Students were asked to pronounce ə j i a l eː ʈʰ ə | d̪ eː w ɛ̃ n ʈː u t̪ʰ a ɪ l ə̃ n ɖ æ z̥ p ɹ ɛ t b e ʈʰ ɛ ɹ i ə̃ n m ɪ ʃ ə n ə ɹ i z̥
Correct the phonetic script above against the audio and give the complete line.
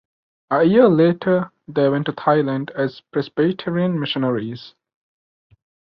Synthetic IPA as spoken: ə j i ə l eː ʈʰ ə | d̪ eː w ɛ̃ n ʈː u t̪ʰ a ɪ l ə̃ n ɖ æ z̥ p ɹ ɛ s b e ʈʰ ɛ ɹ i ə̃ n m ɪ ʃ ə n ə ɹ i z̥

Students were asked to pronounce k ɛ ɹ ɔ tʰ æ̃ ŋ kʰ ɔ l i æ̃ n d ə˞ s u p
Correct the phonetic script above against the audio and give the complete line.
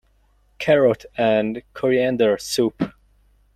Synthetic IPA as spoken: kʰ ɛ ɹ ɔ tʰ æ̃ n kʰ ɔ ɹ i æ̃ n d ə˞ s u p

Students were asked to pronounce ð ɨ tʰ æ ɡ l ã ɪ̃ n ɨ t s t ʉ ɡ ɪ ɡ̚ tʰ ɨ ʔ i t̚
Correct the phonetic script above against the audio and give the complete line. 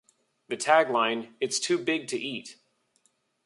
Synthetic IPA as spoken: ð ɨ tʰ æ ɡ l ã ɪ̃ n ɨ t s tʰ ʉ b ɪ ɡ̚ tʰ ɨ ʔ i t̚

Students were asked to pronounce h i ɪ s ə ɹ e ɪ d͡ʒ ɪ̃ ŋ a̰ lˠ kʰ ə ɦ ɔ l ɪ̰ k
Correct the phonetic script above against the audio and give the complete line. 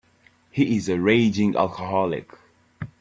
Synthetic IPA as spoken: h i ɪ z ə ɹ e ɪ d͡ʒ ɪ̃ ŋ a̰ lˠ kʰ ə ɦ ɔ l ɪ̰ k

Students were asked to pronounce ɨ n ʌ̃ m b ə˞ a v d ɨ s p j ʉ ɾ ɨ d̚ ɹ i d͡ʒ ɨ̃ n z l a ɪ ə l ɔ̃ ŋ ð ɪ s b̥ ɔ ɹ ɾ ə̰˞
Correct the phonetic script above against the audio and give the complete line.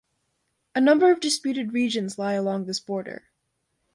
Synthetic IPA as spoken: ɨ n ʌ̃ m b ə˞ ʌ v d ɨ s p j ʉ ɾ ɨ d̚ ɹ i d͡ʒ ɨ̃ n z l a ɪ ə l ɔ̃ ŋ ð ɪ s b̥ ɔ ɹ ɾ ə̰˞

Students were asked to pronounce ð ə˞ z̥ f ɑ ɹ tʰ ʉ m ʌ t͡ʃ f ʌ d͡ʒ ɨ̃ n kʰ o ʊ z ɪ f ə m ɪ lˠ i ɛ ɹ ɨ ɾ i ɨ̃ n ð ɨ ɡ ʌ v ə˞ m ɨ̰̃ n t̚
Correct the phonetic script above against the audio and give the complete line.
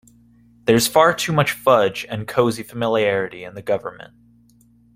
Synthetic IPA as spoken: ð ə˞ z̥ f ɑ ɹ tʰ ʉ m ʌ t͡ʃ f ʌ d͡ʒ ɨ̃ n kʰ o ʊ z i f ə m ɪ lˠ i ɛ ɹ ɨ ɾ i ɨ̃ n ð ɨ ɡ ʌ v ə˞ m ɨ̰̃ n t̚

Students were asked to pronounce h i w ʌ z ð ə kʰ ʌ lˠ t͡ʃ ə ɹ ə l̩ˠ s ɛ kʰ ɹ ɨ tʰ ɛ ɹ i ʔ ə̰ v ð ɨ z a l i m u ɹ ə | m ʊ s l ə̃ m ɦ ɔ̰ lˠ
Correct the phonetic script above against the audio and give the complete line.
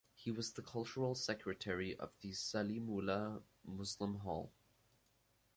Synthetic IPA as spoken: h i w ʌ z ð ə kʰ ʌ lˠ t͡ʃ ə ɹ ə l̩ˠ s ɛ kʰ ɹ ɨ tʰ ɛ ɹ i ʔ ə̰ v ð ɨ s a l i m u l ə | m ʊ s l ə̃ m ɦ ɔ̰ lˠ

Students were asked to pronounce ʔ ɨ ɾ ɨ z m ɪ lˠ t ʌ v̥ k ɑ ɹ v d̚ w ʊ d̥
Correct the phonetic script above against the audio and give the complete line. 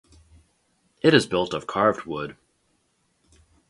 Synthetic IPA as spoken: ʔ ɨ ɾ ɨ z b ɪ lˠ t ʌ v̥ kʰ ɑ ɹ v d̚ w ʊ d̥

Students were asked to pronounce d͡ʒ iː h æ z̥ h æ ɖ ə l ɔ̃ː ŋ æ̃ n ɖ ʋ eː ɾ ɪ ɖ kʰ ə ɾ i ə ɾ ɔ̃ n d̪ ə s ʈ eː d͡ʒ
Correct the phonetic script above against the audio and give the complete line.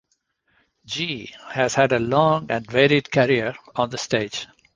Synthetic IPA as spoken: d͡ʒ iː h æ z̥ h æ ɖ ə l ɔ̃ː ŋ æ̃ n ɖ ʋ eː ɾ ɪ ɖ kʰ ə ɾ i ə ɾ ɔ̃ n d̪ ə s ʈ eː d͡ʒ

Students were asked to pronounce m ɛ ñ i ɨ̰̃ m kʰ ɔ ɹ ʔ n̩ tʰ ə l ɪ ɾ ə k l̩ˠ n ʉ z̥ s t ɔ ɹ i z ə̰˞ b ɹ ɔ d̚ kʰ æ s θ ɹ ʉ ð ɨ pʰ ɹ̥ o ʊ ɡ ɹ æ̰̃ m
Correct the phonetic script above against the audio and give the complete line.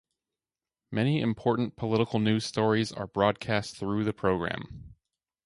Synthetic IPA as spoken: m ɛ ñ i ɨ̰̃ m pʰ ɔ ɹ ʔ n̩ pʰ ə l ɪ ɾ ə k l̩ˠ n ʉ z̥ s t ɔ ɹ i z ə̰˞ b ɹ ɔ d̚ kʰ æ s θ ɹ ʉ ð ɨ pʰ ɹ̥ o ʊ ɡ ɹ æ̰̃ m

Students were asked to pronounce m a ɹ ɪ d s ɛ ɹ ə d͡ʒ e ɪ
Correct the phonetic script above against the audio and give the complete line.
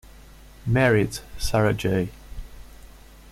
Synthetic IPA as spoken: m ɛ ɹ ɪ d s a ɹ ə d͡ʒ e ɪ

